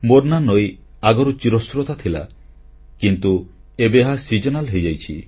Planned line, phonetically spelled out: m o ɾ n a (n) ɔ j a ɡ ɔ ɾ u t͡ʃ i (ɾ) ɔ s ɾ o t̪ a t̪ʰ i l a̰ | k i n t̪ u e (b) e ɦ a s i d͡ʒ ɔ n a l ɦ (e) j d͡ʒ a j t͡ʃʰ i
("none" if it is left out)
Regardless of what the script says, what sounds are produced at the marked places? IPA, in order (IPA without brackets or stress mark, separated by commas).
n, ɾ, b, e